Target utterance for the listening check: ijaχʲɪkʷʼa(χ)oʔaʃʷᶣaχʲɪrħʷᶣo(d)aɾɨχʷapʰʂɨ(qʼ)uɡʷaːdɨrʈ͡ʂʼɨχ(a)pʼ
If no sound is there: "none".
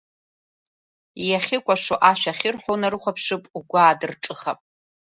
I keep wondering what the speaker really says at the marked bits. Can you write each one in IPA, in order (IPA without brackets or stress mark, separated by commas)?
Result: ʂ, n, pʼ, a